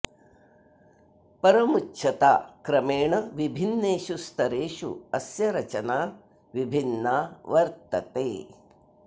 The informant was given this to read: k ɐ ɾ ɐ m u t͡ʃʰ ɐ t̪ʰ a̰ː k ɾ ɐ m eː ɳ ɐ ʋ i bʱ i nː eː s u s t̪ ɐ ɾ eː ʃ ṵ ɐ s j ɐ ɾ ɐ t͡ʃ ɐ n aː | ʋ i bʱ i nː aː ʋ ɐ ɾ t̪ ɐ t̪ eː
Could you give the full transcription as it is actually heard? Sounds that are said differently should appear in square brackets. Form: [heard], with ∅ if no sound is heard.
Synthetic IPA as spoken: [p] ɐ ɾ ɐ m u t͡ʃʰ ɐ [t̪] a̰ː k ɾ ɐ m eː ɳ ɐ ʋ i bʱ i nː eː [ʃ] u s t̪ ɐ ɾ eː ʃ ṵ ɐ s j ɐ ɾ ɐ t͡ʃ ɐ n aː | ʋ i bʱ i nː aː ʋ ɐ ɾ t̪ ɐ t̪ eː